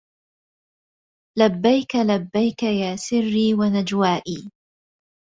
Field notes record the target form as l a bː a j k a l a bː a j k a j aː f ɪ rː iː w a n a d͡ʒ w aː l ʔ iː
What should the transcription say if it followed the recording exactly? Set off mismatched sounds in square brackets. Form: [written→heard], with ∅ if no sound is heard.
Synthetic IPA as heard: l a bː a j k a l a bː a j k a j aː [f→s] ɪ rː iː w a n a d͡ʒ w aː [l→∅] ʔ iː